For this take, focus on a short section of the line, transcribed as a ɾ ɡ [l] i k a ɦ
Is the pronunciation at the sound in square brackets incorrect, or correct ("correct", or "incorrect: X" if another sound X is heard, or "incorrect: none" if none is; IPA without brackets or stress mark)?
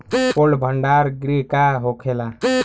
incorrect: ɾ